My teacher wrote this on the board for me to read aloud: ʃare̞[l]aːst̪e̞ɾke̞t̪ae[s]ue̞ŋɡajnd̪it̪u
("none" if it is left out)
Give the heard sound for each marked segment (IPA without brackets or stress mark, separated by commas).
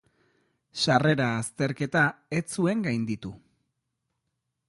ɾ, t͡s